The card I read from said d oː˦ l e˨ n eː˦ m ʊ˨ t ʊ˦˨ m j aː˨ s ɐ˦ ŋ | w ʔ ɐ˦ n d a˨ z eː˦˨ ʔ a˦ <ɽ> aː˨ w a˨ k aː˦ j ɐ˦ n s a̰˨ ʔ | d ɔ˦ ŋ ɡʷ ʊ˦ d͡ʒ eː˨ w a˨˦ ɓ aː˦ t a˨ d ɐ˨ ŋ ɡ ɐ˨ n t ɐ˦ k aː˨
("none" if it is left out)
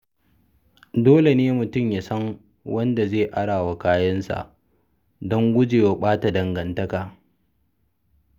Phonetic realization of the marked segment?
ɽ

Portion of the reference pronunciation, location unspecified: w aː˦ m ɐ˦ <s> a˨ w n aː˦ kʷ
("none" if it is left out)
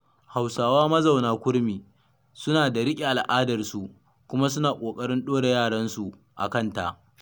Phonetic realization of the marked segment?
z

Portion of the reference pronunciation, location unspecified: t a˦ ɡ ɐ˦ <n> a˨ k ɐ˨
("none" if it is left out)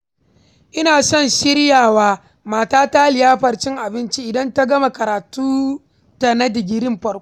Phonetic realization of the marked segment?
m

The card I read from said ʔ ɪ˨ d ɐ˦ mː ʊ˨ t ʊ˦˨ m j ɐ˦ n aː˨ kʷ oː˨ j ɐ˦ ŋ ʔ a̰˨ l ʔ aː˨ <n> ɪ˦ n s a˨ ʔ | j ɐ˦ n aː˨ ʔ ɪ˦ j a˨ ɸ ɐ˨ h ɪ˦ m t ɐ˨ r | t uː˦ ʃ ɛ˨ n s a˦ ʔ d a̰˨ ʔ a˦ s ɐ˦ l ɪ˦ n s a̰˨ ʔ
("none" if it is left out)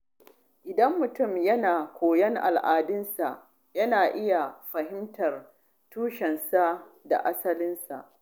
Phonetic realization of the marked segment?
d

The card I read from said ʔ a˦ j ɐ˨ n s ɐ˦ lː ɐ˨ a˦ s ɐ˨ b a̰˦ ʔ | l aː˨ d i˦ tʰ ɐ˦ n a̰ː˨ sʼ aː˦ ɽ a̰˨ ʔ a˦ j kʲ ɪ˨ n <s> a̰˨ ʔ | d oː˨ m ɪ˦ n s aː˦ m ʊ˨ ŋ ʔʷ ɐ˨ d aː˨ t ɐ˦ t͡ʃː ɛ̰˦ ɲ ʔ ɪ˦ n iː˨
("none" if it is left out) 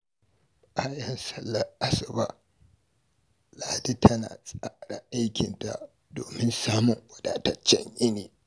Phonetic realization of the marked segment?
t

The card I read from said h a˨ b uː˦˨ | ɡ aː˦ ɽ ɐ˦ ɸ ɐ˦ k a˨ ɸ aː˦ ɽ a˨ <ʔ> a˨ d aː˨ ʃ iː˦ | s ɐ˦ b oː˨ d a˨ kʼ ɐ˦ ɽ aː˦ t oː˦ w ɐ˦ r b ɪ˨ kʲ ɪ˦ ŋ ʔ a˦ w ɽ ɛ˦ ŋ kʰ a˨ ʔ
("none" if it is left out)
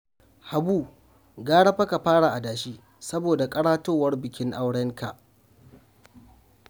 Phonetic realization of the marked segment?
ʔ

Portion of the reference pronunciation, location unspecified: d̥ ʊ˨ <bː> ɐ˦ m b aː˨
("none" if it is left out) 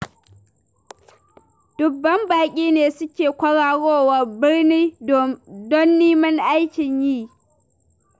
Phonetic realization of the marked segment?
bː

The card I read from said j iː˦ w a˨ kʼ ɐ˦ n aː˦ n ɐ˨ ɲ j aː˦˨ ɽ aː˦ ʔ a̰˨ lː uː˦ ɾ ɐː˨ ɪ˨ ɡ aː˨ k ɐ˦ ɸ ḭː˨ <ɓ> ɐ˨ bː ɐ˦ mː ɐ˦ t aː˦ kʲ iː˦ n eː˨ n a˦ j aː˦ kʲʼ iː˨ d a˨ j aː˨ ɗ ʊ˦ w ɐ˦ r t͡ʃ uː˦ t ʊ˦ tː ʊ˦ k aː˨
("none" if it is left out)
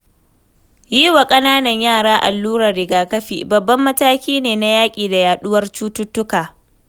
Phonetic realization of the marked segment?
b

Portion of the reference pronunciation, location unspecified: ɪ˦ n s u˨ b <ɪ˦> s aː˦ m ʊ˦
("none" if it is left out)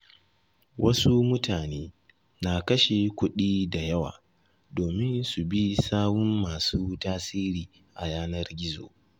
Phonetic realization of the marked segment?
i˦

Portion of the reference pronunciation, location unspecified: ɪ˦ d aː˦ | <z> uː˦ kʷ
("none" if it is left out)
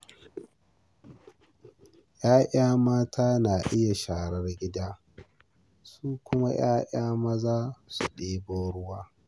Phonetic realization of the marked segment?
s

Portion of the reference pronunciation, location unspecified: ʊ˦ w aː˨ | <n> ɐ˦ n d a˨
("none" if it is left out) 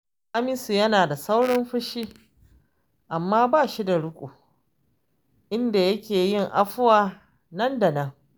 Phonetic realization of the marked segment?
n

